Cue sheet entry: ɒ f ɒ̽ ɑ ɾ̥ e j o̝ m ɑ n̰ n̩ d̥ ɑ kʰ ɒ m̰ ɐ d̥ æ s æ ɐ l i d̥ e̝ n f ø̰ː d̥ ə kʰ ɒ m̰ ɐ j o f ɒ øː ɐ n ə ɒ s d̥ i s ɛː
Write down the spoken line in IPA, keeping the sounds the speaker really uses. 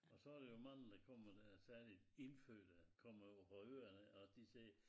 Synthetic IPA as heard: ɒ s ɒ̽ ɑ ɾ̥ e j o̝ m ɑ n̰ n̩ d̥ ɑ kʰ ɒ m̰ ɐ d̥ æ s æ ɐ l i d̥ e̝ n f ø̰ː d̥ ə kʰ ɒ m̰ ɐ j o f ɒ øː ɐ n ə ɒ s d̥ i s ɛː

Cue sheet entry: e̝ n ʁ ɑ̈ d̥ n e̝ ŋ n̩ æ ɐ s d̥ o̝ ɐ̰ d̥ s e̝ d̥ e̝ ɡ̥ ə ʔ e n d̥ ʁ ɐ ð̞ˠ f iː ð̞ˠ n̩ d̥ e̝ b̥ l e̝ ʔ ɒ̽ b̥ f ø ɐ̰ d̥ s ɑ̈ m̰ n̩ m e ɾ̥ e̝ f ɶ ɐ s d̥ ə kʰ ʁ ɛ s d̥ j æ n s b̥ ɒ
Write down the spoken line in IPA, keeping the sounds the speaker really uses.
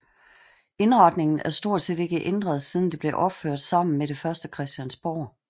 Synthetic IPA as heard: e̝ n ʁ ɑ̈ d̥ n e̝ ŋ n̩ æ ɐ s d̥ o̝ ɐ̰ d̥ s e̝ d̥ e̝ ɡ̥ ə ʔ e n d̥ ʁ ɐ ð̞ˠ s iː ð̞ˠ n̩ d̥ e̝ b̥ l e̝ ʔ ɒ̽ b̥ f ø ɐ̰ d̥ s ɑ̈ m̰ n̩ m e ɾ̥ e̝ f ɶ ɐ s d̥ ə kʰ ʁ ɛ s d̥ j æ n s b̥ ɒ

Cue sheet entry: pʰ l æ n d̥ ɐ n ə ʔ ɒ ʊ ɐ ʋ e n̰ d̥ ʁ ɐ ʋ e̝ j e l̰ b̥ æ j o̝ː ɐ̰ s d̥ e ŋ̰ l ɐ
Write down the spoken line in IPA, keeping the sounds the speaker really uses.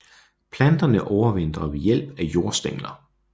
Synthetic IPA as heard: pʰ l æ n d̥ ɐ n ə ʔ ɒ ʊ ɐ ʋ e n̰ d̥ ʁ ɐ ʋ e̝ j e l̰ b̥ æ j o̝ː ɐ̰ s d̥ e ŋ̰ l ɐ

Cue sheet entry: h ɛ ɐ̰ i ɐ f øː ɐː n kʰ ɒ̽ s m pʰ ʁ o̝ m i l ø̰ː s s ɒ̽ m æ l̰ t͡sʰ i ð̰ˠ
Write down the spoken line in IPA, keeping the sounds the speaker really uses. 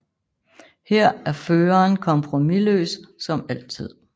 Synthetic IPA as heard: h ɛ ɐ̰ æ ɐ f øː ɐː n kʰ ɒ̽ m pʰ ʁ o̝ m i l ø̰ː s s ɒ̽ m æ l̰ t͡sʰ i ð̰ˠ

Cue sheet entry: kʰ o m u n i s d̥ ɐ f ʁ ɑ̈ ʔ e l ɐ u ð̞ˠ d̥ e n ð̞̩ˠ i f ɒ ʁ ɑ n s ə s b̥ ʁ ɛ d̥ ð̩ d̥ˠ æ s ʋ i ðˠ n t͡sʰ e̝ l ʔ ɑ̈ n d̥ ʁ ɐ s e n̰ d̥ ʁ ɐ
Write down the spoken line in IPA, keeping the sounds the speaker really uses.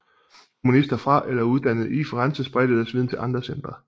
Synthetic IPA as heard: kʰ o m u n i s d̥ ɐ f ʁ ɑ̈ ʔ e l ɐ u ð̞ˠ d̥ æ n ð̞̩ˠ i f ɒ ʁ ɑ n s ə s b̥ ʁ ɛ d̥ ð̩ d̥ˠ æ s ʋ i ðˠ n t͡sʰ e̝ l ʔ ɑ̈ n d̥ ʁ ɐ s e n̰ d̥ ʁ ɐ

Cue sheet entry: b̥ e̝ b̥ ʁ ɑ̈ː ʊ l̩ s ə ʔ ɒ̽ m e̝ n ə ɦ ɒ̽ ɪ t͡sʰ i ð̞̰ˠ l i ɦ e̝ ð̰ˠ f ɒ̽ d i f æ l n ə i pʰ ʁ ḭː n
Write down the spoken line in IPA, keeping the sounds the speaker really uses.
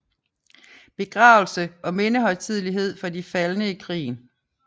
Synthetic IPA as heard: b̥ e̝ ɡ̥ ʁ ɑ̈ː ʊ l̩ s ə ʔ ɒ̽ m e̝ n ə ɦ ɒ̽ ɪ t͡sʰ i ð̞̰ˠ l i ɦ e̝ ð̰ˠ f ɒ̽ d i f æ l n ə i kʰ ʁ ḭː n

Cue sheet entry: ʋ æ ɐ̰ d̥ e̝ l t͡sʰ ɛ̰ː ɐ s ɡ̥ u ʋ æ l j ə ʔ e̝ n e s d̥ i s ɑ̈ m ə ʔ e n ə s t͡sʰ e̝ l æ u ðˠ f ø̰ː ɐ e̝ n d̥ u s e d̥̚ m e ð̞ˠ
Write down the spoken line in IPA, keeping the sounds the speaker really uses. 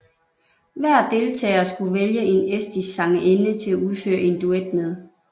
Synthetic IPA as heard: ʋ æ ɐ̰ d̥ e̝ l t͡sʰ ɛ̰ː ɐ s ɡ̥ u ʋ e l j ə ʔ e̝ n e s d̥ i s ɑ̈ ŋ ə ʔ e n ə t͡sʰ e̝ l æ u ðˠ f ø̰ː ɐ e̝ n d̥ u e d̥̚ m e ð̞ˠ

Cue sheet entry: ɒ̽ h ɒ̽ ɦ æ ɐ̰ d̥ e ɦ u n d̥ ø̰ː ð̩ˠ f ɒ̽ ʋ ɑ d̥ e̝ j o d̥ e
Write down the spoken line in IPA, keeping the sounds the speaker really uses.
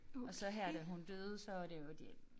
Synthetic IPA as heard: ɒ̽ s ɒ̽ ɦ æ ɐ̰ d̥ æ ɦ u n d̥ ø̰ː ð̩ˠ s ɒ̽ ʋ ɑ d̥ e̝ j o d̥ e

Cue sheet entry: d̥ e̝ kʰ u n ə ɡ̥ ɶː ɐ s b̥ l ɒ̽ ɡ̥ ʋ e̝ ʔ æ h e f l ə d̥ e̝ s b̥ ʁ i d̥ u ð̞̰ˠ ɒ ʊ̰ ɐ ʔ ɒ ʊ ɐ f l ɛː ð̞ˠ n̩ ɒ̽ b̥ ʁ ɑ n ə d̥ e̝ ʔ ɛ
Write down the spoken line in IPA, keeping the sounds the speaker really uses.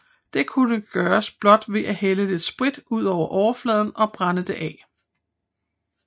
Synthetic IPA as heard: d̥ e̝ kʰ u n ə ɡ̥ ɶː ɐ s b̥ l ɒ̽ d̥ ʋ e̝ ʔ æ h e l ə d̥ e̝ s b̥ ʁ i d̥ u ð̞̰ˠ ɒ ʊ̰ ɐ ʔ ɒ ʊ ɐ f l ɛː ð̞ˠ n̩ ɒ̽ b̥ ʁ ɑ n ə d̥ e̝ ʔ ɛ

